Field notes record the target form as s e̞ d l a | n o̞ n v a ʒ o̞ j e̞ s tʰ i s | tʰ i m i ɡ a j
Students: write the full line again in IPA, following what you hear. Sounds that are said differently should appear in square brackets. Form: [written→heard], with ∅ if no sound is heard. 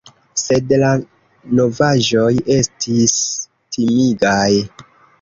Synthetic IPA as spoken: s e̞ d l a | n o̞ [n→∅] v a ʒ o̞ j e̞ s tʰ i s | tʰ i m i ɡ a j